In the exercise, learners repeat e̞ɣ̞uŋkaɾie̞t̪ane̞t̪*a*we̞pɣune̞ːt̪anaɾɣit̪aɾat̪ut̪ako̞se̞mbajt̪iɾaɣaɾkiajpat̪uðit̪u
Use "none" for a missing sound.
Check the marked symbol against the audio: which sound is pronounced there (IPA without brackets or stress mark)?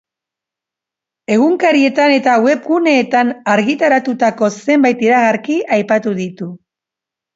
a